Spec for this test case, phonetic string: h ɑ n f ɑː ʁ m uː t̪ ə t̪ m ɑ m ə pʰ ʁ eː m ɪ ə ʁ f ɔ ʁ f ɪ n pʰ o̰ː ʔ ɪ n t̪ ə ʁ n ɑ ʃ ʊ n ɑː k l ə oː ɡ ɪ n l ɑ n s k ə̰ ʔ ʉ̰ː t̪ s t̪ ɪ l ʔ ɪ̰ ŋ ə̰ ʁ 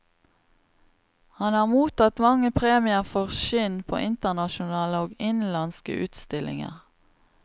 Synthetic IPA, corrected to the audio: h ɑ n h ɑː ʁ m uː t̪ ɑ t̪ m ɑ ŋ ə pʰ ʁ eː m ɪ ə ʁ f ɔ ʁ ʃ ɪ n pʰ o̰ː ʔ ɪ n t̪ ə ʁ n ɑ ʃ ʊ n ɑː l ə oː ɡ ɪ n l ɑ n s k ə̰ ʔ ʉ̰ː t̪ s t̪ ɪ l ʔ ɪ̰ ŋ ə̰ ʁ

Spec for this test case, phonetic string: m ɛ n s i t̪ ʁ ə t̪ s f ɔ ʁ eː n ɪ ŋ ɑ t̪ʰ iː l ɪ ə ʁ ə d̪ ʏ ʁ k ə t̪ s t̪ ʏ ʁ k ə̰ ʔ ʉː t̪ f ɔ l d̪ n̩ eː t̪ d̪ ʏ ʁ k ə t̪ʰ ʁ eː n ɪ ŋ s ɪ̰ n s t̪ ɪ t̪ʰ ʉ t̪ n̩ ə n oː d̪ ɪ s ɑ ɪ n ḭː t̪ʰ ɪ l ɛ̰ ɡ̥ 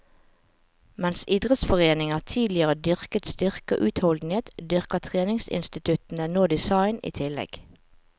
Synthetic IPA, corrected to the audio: m ɛ n s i d̪ ʁ ə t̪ s f ɔ ʁ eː n ɪ ŋ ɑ t̪ʰ iː l ɪ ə ʁ ə d̪ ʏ ʁ k ə t̪ s t̪ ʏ ʁ k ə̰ ʔ ʉː t̪ h ɔ l d̪ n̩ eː t̪ d̪ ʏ ʁ k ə t̪ʰ ʁ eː n ɪ ŋ s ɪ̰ n s t̪ ɪ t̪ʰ ʉ t̪ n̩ ə n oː d̪ ɪ s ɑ ɪ n ḭː t̪ʰ ɪ l ɛ̰ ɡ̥

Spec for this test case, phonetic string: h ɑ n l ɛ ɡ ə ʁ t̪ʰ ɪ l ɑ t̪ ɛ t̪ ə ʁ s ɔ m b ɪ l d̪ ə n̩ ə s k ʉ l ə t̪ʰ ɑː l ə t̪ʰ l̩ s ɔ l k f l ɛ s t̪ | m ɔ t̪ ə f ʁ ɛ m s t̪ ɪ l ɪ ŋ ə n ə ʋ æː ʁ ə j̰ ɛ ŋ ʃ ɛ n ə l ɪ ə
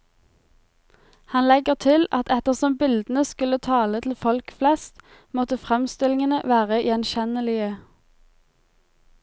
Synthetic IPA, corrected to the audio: h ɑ n l ɛ ɡ ə ʁ t̪ʰ ɪ l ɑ t̪ ɛ t̪ ə ʁ s ɔ m b ɪ l d̪ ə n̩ ə s k ʉ l ə t̪ʰ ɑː l ə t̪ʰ l̩ f ɔ l k f l ɛ s t̪ | m ɔ t̪ ə f ʁ ɛ m s t̪ ɪ l ɪ ŋ ə n ə ʋ æː ʁ ə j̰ ɛ n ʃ ɛ n ə l ɪ ə

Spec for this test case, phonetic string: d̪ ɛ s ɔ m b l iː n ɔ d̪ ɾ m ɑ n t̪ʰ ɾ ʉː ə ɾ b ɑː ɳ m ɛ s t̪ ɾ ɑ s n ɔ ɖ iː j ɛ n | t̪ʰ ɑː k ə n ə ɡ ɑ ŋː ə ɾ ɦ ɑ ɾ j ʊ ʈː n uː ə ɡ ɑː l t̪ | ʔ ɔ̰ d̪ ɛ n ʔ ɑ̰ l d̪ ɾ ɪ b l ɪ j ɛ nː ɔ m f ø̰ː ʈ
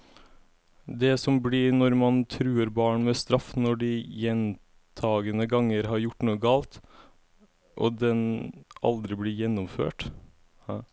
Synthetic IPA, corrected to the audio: d̪ ɛ s ɔ m b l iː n ɔ ɾ m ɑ n t̪ʰ ɾ ʉː ə ɾ b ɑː ɳ m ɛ s t̪ ɾ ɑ f n ɔ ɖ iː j ɛ n | t̪ʰ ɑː ɡ ə n ə ɡ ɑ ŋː ə ɾ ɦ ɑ ɾ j ʊ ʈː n uː ə ɡ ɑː l t̪ | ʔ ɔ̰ d̪ ɛ n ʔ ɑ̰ l d̪ ɾ ɪ b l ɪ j ɛ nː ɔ m f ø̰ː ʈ

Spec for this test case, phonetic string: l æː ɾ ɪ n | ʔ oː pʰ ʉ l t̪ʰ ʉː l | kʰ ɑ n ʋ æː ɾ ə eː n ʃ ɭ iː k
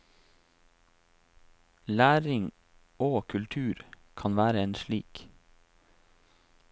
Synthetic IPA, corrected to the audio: l æː ɾ ɪ ŋ | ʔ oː kʰ ʉ l t̪ʰ ʉː ɾ | kʰ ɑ n ʋ æː ɾ ə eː n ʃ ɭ iː k

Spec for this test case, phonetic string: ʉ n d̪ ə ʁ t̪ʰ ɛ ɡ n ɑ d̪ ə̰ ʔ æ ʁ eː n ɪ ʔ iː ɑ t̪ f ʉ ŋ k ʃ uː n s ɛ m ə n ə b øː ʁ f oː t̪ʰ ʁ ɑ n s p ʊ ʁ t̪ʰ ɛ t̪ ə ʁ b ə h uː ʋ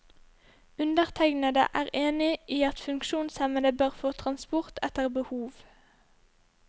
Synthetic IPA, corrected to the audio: ʉ n d̪ ə ʁ t̪ʰ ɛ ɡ n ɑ d̪ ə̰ ʔ æː ʁ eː n ɪ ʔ iː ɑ t̪ f ʉ ŋ k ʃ uː n s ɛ m ə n ə b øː ʁ f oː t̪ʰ ʁ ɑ n s p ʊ ʁ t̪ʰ ɛ t̪ ə ʁ b ə h uː ʋ

